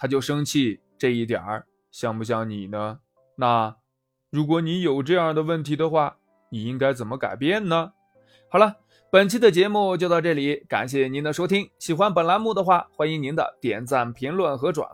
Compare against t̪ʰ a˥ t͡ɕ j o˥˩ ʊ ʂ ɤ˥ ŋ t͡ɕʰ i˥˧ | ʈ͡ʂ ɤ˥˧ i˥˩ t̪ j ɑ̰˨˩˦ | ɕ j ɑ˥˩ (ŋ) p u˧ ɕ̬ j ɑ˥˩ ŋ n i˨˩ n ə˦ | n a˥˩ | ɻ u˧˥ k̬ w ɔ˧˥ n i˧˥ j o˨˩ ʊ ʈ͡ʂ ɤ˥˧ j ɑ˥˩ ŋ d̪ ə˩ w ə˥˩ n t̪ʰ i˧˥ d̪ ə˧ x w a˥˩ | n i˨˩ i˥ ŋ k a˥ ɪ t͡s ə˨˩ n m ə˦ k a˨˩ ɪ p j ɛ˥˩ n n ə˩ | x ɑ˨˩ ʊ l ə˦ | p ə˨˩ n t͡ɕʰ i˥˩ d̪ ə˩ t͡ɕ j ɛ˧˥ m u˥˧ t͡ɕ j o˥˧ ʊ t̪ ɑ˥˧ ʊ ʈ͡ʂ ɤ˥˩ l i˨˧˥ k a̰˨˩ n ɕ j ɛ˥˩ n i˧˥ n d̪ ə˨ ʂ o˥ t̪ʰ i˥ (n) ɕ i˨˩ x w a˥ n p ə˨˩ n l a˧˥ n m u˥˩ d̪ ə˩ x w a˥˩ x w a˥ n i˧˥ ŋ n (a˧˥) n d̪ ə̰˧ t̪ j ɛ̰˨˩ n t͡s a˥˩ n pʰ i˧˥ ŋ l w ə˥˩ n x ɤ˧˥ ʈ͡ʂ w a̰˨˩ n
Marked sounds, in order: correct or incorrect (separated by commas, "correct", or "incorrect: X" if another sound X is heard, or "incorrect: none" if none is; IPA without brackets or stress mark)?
correct, incorrect: ŋ, incorrect: i˧˥